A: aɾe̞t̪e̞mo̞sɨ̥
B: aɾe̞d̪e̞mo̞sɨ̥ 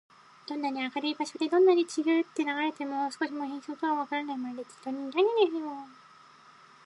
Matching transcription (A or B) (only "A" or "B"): A